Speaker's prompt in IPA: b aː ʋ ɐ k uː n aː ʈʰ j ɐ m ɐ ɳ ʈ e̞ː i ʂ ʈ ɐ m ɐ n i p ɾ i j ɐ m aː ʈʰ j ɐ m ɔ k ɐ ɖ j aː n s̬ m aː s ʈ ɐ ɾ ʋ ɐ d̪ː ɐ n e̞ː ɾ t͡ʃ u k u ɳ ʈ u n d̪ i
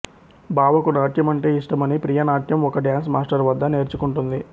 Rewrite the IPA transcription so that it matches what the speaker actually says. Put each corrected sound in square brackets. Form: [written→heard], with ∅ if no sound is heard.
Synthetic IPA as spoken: b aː ʋ ɐ k [uː→u] n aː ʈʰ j ɐ m ɐ ɳ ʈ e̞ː i ʂ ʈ ɐ m ɐ n i p ɾ i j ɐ [m→n] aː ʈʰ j ɐ m ɔ k ɐ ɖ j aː n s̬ m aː s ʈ ɐ ɾ ʋ ɐ d̪ː ɐ n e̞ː ɾ t͡ʃ u k u ɳ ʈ u n d̪ i